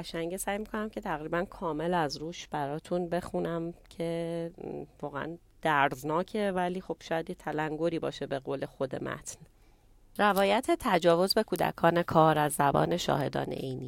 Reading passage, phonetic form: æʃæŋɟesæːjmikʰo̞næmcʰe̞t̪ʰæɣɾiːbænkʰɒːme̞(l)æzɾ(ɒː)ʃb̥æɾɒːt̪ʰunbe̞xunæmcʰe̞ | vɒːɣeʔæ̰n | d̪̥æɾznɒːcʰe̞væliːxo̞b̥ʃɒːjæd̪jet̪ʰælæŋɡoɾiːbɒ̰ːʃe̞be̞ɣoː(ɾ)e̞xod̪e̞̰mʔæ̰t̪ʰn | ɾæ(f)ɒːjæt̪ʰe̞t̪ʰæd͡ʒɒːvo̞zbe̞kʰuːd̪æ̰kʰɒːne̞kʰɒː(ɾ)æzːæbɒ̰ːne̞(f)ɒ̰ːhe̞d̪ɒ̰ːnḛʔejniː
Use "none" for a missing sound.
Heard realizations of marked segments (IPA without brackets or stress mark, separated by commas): l, uː, l, v, ɾ, ʃ